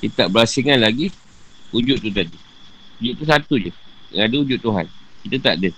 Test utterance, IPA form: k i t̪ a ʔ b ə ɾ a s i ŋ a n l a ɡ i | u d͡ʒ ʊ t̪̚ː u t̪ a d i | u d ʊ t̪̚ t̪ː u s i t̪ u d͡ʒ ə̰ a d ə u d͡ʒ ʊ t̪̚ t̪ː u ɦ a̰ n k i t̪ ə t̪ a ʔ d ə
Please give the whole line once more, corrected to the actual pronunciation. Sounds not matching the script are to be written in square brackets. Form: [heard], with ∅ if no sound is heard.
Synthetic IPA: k i t̪ a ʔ b ə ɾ a s i ŋ a n l a ɡ i | u d͡ʒ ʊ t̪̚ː u t̪ a d i | u [d͡ʒ] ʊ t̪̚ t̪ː u s [a] t̪ u d͡ʒ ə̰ a d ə u d͡ʒ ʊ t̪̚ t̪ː u ɦ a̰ n k i t̪ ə t̪ a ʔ d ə